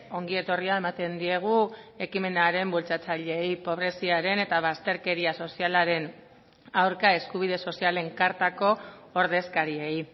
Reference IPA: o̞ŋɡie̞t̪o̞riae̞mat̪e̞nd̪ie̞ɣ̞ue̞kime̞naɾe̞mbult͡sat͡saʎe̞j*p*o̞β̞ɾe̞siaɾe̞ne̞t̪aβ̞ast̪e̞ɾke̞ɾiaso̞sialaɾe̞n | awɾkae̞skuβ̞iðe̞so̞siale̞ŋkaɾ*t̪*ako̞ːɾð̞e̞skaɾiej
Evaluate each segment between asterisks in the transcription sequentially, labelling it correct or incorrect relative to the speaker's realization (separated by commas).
correct, correct